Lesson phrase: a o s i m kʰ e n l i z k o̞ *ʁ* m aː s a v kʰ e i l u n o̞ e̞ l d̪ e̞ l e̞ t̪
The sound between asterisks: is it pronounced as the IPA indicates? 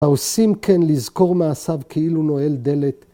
yes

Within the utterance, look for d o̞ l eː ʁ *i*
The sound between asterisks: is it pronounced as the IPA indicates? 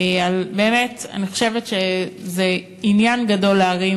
yes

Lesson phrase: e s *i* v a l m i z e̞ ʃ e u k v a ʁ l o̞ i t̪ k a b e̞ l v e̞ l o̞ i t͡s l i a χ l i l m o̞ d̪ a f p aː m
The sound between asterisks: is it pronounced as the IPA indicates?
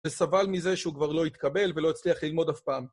no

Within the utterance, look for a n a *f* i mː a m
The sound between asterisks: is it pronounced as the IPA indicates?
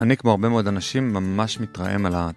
no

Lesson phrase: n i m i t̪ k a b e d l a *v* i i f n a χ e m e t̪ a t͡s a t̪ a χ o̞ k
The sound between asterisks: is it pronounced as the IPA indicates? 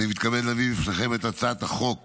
yes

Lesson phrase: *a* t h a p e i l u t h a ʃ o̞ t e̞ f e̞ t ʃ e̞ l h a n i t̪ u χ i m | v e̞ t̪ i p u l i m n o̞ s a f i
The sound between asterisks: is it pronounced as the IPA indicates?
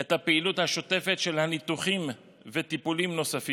no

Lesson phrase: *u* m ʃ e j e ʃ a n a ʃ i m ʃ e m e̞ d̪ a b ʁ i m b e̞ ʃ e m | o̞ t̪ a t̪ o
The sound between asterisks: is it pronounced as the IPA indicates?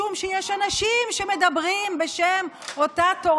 yes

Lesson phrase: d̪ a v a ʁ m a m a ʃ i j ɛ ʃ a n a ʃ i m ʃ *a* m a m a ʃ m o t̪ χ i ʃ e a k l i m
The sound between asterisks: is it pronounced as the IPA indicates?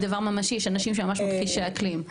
no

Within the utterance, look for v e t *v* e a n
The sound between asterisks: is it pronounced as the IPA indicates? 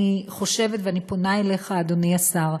yes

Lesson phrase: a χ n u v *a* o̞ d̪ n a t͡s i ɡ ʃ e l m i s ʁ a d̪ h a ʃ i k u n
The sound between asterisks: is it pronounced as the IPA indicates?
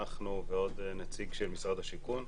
no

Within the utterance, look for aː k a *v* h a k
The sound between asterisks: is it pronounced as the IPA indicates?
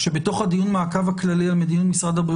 yes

